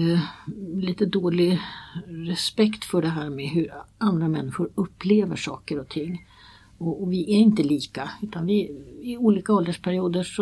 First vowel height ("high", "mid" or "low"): high